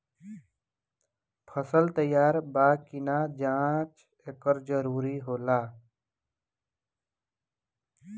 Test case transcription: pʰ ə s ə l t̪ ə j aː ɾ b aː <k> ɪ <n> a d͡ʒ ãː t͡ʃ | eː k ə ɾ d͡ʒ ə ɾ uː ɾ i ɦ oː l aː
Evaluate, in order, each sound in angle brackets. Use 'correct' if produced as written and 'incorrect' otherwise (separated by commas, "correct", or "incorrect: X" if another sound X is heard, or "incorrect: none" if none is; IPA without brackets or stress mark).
correct, correct